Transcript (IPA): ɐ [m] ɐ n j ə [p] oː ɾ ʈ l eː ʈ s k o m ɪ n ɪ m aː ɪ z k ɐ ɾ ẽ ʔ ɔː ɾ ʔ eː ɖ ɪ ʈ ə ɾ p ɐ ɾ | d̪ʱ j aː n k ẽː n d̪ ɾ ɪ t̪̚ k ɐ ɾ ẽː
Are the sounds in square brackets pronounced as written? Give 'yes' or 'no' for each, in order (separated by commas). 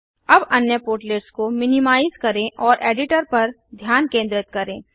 no, yes